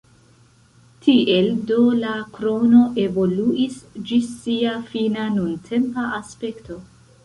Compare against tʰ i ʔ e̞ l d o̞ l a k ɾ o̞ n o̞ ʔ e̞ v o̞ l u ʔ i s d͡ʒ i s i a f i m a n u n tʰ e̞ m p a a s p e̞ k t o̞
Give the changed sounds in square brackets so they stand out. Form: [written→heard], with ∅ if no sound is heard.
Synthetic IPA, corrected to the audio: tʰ i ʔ e̞ l d o̞ l a k ɾ o̞ n o̞ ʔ e̞ v o̞ l u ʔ i s d͡ʒ i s i a f i [m→n] a n u n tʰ e̞ m p a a s p e̞ k t o̞